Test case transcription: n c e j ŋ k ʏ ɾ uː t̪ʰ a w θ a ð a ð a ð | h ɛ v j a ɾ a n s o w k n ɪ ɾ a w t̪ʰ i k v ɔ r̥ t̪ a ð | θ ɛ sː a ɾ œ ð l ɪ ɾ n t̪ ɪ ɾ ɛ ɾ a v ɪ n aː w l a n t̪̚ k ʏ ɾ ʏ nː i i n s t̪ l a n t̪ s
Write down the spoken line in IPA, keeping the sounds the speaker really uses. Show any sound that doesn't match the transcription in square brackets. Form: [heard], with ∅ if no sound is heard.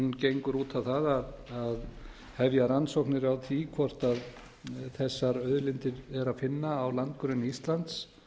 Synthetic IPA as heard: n c e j ŋ k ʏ ɾ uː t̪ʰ a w θ a ð a ð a ð | h ɛ v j a ɾ a n s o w k n ɪ ɾ a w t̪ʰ i [kʰ] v ɔ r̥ t̪ a ð | θ ɛ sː a ɾ œ ð l ɪ [∅] n t̪ ɪ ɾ ɛ ɾ a [f] ɪ [nː] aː w l a n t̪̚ k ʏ ɾ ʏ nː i i [∅] s t̪ l a n t̪ s